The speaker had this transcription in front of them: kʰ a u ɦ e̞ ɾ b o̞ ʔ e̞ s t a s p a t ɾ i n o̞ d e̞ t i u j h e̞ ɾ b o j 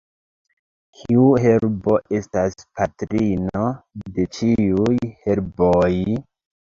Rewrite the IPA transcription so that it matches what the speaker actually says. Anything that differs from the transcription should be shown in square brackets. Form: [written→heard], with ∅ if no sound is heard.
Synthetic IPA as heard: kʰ [a→i] u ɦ e̞ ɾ b o̞ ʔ e̞ s t a s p a t ɾ i n o̞ d e̞ [t→t͡ʃ] i u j h e̞ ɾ b o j